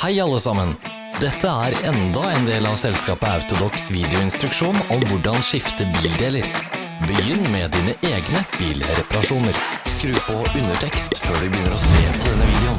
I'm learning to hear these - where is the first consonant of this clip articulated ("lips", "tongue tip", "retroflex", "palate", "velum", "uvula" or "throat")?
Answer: throat